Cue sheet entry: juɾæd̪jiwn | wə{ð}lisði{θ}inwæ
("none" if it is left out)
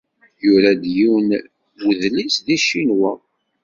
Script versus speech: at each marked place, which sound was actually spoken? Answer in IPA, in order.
ð, ʃ

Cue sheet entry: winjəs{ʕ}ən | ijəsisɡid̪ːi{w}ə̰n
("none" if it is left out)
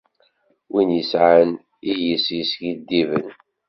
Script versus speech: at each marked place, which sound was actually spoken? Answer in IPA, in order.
ʕ, v

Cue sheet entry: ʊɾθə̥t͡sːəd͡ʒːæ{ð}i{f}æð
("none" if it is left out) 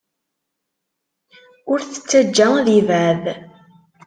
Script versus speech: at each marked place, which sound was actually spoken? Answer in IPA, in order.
ð, v

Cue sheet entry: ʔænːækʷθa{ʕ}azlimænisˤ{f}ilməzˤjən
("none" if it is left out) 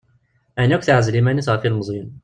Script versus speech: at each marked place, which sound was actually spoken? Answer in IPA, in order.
ʕ, f

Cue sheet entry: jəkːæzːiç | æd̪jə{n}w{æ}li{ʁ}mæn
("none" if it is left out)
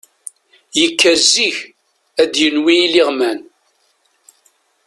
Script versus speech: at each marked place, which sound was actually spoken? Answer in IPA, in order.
n, i, ʁ

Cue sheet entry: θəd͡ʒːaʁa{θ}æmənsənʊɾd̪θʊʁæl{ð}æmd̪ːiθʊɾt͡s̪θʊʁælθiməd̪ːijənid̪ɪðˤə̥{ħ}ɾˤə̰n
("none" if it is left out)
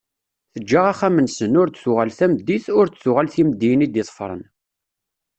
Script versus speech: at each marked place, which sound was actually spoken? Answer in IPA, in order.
χ, θ, f

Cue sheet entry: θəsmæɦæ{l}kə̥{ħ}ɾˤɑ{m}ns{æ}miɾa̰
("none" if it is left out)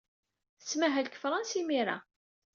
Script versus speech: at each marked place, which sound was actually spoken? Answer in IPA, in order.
l, f, none, i

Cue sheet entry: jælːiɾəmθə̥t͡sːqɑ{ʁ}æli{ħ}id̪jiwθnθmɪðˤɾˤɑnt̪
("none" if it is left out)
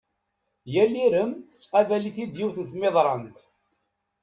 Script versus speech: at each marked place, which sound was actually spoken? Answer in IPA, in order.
v, θ

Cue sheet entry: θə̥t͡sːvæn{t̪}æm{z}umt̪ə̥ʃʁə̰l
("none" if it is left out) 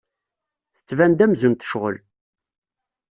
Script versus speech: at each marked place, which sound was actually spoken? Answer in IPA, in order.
d̪, z

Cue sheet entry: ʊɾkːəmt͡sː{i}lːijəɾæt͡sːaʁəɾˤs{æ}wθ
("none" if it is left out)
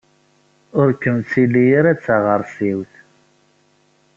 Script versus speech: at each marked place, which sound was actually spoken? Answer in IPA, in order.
i, i

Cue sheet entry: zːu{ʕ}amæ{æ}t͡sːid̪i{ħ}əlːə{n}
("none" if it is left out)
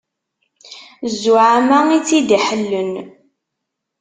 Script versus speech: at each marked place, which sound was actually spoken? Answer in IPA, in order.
ʕ, i, ħ, n

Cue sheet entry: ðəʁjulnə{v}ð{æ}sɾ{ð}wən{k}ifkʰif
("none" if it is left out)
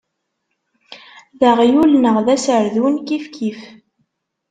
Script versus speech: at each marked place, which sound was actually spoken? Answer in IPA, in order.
ʁ, æ, ð, k

